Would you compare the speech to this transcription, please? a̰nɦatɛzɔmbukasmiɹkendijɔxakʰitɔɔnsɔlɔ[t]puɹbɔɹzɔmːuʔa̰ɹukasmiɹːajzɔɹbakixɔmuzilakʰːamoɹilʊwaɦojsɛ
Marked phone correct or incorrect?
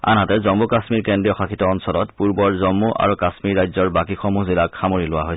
correct